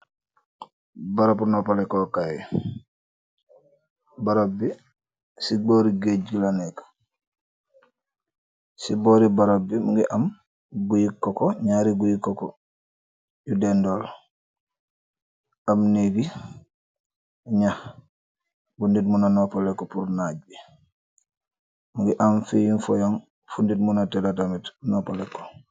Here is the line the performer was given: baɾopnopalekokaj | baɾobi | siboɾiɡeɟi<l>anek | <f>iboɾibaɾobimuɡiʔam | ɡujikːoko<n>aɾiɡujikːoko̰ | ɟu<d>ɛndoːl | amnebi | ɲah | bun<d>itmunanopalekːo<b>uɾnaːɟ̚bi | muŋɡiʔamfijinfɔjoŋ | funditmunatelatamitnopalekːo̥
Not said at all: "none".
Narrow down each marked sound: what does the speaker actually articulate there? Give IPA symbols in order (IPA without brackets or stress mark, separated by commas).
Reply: l, s, ɲ, d, d, p